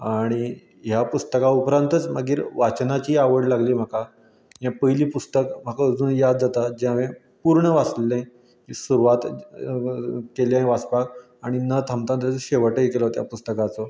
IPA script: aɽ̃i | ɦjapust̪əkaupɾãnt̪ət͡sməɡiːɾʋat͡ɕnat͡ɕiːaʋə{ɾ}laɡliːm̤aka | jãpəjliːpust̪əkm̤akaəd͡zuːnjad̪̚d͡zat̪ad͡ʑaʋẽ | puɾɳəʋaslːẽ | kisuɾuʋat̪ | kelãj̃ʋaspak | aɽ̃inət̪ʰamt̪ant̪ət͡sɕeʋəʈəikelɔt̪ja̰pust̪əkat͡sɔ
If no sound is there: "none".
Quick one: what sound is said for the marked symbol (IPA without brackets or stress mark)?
ɽ